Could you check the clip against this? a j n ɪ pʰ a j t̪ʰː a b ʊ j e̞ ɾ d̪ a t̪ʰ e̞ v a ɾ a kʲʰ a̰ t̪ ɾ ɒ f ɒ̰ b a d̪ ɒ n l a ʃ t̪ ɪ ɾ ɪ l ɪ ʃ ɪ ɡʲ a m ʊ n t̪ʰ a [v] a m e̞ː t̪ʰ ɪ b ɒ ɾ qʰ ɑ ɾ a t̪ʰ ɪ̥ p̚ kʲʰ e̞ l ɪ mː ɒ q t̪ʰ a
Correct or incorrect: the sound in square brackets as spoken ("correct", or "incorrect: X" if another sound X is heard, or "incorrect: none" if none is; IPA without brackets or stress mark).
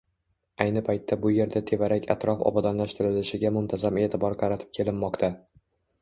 incorrect: z